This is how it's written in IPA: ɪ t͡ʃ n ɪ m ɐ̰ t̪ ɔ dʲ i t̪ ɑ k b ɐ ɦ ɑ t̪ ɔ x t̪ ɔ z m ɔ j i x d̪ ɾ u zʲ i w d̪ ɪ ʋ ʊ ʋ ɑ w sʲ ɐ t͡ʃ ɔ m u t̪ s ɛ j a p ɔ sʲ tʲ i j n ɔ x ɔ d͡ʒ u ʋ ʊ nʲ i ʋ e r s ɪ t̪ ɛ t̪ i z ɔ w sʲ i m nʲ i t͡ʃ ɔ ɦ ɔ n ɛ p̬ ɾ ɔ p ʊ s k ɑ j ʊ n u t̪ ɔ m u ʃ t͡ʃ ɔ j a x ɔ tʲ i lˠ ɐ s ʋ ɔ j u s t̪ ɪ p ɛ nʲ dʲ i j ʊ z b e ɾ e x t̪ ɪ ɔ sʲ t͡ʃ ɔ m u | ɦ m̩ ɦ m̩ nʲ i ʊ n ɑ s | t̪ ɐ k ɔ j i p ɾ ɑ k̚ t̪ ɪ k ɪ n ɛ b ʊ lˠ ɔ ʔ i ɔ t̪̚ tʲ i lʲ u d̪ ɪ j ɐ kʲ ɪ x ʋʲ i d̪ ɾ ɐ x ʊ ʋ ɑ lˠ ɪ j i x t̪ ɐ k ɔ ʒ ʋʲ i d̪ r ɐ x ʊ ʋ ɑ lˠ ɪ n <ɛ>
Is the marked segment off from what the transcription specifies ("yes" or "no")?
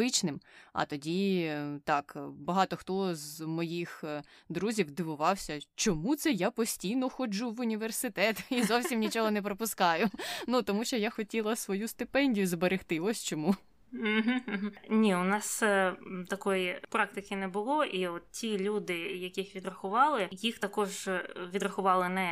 no